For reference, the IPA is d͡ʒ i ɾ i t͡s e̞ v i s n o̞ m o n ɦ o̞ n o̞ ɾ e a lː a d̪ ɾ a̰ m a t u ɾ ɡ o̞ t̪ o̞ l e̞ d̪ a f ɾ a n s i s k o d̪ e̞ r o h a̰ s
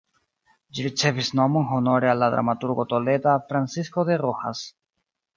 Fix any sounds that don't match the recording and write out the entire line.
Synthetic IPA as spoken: d͡ʒ i ɾ i t͡s e̞ v i s n o̞ m o n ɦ o̞ n o̞ ɾ e a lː a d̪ ɾ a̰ m a t u ɾ ɡ o̞ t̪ o̞ l e̞ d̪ a f ɾ a n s i s k o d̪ e̞ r o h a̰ s